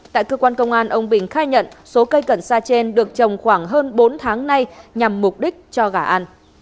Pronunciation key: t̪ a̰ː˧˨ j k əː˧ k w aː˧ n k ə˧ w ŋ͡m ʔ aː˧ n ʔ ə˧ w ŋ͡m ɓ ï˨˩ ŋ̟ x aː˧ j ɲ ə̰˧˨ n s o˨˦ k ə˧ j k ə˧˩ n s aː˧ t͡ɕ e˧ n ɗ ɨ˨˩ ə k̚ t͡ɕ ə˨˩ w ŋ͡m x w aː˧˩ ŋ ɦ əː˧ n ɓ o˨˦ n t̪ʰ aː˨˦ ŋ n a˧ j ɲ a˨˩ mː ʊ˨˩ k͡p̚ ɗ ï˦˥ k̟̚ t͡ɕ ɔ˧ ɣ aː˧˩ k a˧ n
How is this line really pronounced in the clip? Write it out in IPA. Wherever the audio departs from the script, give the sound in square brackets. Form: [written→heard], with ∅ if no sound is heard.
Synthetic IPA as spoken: t̪ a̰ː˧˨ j k əː˧ k w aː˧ n k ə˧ w ŋ͡m ʔ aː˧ n ʔ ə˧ w ŋ͡m ɓ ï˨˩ ŋ̟ x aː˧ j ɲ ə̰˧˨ n s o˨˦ k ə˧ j k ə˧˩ n s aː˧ t͡ɕ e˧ n ɗ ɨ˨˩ ə k̚ t͡ɕ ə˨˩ w ŋ͡m x w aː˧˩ ŋ ɦ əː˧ n ɓ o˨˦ n t̪ʰ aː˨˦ ŋ n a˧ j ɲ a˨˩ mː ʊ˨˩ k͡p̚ ɗ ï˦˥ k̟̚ t͡ɕ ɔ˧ ɣ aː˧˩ [k→ʔ] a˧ n